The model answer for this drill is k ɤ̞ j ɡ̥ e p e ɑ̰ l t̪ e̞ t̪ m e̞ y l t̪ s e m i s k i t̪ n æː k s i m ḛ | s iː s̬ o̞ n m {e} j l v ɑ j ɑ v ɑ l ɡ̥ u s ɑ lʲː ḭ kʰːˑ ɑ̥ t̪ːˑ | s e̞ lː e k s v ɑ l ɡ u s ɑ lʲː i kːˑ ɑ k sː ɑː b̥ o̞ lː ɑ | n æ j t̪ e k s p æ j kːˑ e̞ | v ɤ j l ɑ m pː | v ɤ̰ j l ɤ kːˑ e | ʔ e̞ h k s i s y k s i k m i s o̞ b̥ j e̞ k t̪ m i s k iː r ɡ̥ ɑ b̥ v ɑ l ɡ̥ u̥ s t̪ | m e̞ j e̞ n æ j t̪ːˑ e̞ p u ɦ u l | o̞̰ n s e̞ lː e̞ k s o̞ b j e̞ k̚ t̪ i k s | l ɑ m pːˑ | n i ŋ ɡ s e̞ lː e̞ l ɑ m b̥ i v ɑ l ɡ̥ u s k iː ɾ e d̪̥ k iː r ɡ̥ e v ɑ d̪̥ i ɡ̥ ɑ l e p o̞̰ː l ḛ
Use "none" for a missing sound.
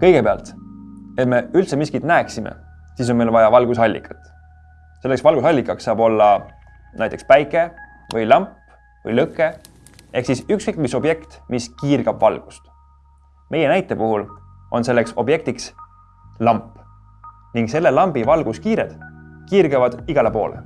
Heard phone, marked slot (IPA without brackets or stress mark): e